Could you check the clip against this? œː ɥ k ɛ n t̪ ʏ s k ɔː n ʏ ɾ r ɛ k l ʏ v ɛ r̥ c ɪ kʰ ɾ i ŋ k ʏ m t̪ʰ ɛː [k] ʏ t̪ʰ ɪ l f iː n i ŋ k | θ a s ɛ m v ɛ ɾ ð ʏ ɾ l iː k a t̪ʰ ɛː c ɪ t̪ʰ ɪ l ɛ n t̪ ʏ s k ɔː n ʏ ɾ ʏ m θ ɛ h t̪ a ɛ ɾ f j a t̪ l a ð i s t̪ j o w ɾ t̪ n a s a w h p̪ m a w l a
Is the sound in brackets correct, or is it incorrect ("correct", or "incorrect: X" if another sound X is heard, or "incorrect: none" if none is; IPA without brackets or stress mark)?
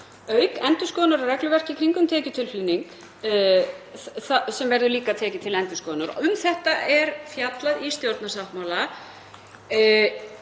incorrect: c